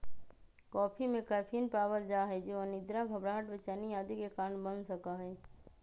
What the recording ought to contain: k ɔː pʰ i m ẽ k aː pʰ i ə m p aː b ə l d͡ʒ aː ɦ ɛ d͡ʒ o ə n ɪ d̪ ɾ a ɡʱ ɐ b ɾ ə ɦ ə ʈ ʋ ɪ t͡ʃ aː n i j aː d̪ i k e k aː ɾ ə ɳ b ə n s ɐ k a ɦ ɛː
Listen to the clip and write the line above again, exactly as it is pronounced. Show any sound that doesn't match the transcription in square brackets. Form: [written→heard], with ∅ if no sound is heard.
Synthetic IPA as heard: k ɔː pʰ i m ẽ k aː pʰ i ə [m→n] p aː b ə l d͡ʒ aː ɦ ɛ d͡ʒ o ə n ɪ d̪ ɾ a ɡʱ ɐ b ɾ [ə→a] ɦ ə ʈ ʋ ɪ t͡ʃ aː n i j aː d̪ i k e k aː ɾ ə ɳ b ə n s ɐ k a ɦ ɛː